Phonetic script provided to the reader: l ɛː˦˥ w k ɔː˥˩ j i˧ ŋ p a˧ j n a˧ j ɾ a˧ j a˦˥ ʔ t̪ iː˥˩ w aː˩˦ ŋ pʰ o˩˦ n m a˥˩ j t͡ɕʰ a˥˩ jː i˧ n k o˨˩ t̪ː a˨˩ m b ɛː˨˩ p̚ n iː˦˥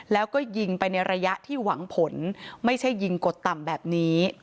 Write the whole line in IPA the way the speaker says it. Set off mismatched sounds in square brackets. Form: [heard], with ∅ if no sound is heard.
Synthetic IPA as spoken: l ɛː˦˥ w k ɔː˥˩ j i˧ ŋ p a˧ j n a˧ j ɾ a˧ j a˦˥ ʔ [t̪ʰ] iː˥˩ w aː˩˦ ŋ pʰ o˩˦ n m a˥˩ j t͡ɕʰ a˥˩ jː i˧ [ŋ] k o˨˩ t̪ː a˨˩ m b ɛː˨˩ p̚ n iː˦˥